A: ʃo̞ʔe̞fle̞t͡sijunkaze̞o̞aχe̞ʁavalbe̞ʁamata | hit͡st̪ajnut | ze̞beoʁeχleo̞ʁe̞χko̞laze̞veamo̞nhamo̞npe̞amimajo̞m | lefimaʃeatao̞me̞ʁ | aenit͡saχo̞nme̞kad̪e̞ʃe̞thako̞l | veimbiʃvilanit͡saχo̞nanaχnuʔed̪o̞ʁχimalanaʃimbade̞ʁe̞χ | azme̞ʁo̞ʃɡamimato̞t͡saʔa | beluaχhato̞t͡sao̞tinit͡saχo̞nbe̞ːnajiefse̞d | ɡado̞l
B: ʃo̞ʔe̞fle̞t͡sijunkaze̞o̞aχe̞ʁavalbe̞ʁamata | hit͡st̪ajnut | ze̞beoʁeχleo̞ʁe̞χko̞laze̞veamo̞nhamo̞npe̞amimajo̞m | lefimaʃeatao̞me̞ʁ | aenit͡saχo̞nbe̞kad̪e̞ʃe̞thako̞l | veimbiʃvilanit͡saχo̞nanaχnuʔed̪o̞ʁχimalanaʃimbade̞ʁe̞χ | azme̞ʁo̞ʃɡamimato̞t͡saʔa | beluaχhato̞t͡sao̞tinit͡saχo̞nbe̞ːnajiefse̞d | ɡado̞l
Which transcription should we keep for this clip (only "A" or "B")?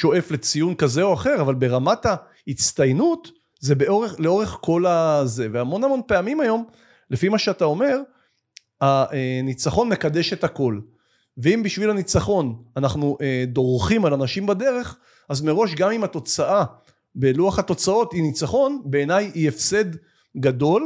A